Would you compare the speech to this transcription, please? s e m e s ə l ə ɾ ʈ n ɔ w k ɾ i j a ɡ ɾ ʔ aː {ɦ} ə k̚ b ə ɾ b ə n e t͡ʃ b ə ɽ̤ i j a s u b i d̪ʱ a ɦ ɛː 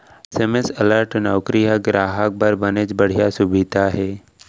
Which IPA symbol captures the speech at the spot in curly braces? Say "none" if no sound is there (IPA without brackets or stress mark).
ɦ